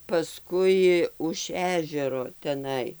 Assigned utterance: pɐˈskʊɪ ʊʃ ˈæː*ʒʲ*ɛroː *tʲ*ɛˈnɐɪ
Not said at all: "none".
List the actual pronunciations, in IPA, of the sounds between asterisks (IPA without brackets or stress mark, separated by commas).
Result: ʒʲ, tʲ